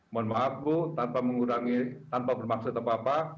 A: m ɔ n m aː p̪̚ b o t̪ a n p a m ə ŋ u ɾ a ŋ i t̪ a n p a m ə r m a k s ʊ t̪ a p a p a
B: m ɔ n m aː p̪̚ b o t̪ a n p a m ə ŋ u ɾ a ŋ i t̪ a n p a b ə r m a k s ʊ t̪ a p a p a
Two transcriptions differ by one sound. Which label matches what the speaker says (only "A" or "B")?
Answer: B